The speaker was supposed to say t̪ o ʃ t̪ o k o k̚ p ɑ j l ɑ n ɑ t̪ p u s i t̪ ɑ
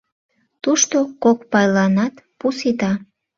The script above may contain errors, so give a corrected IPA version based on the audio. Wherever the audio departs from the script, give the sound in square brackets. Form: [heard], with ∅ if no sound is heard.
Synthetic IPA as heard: t̪ [u] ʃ t̪ o k o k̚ p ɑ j l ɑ n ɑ t̪ p u s i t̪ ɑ